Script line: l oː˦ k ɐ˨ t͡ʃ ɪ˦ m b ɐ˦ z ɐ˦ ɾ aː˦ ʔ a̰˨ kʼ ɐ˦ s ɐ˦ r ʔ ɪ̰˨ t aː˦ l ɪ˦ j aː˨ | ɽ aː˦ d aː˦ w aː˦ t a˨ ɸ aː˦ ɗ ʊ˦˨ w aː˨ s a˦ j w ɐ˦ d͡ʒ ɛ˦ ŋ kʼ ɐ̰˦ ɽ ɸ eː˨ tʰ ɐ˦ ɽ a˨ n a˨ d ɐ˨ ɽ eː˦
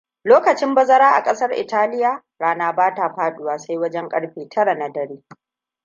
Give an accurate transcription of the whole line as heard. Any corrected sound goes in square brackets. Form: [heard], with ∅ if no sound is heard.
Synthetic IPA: l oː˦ k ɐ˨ t͡ʃ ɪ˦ m b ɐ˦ z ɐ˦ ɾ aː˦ ʔ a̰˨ kʼ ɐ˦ s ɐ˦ r ʔ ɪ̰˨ t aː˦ l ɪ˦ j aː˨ | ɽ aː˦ [n] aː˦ [b] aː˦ t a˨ ɸ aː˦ ɗ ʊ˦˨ w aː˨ s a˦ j w ɐ˦ d͡ʒ ɛ˦ ŋ kʼ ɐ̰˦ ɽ ɸ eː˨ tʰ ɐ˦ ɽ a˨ n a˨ d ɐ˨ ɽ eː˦